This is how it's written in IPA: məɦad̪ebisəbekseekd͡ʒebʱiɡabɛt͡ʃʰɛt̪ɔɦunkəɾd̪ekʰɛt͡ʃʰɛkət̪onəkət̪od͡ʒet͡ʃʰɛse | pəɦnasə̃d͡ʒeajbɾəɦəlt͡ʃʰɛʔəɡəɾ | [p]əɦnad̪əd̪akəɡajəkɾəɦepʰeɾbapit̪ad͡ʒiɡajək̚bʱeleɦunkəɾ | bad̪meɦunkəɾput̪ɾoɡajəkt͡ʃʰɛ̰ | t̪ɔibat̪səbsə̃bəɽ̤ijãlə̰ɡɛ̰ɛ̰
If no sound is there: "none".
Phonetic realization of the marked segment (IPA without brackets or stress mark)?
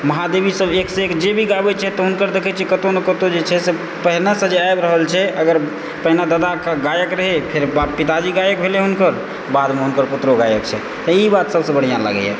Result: p